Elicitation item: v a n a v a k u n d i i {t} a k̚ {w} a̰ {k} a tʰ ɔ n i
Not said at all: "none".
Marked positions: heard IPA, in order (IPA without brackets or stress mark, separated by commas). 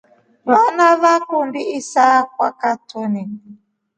s, w, k